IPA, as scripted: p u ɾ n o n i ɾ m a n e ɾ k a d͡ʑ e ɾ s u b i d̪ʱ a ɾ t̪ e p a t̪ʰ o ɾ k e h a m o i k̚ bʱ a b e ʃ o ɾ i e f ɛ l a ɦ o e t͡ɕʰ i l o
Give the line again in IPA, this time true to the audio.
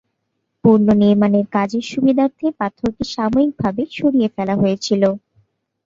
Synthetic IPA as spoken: p u ɾ n o n i ɾ m a n e ɾ k a d͡ʑ e ɾ ʃ u b i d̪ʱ a ɾ t̪ʰ e p a t̪ʰ o ɾ k e ʃ a m o i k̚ bʱ a b e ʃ o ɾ i e f ɛ l a ɦ o e t͡ɕʰ i l o

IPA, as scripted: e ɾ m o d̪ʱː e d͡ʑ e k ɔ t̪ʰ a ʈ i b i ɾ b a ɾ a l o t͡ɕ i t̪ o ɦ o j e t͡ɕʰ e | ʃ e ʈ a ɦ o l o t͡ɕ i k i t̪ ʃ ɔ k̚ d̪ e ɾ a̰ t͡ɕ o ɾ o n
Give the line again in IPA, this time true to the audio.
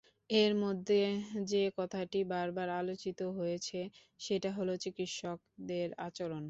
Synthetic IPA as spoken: e ɾ m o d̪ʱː e d͡ʑ e k ɔ t̪ʰ a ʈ i b a ɾ b a ɾ a l o t͡ɕ i t̪ o ɦ o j e t͡ɕʰ e | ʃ e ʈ a ɦ o l o t͡ɕ i k i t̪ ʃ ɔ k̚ d̪ e ɾ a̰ t͡ɕ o ɾ o n

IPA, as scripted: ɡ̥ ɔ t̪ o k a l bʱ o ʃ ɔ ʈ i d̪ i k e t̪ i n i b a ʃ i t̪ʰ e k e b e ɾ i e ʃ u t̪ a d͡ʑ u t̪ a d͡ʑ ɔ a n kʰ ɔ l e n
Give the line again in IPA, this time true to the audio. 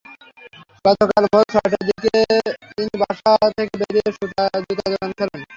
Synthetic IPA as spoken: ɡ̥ ɔ t̪ o k a l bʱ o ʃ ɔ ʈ a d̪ i k e t̪ i n i b a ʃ a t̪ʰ e k e b e ɾ i e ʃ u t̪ a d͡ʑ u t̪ a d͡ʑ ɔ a n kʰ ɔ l e n

